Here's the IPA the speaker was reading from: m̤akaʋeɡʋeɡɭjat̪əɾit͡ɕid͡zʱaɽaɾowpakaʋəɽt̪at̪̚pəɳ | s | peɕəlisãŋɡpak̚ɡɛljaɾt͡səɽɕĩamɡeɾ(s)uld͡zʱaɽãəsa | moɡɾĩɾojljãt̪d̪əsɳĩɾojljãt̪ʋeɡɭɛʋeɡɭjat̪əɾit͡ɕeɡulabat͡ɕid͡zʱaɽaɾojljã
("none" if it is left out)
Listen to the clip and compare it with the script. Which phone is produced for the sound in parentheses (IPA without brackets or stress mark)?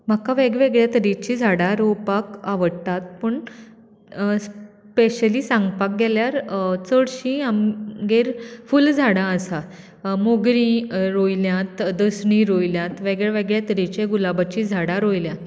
f